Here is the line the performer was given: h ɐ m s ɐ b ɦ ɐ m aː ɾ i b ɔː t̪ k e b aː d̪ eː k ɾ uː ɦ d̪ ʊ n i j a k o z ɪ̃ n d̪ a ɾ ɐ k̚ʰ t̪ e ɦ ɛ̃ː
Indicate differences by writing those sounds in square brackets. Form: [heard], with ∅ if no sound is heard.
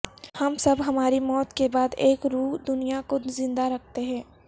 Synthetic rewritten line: h ɐ m s ɐ b ɦ ɐ m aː ɾ i [m] ɔː t̪ k e b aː d̪ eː k ɾ uː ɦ d̪ ʊ n i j a k o z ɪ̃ n d̪ a ɾ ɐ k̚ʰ t̪ e ɦ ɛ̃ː